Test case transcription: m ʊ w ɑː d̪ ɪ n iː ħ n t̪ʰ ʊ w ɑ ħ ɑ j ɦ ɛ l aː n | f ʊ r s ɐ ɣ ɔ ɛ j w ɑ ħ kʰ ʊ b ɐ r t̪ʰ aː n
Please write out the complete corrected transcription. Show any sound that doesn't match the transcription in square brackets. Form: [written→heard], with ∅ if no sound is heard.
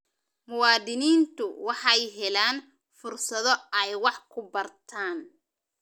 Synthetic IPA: m ʊ w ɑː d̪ ɪ n iː [ħ→∅] n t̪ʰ ʊ w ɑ ħ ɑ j ɦ ɛ l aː n | f ʊ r s ɐ [ɣ→ð] ɔ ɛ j w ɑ ħ kʰ ʊ b ɐ r t̪ʰ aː n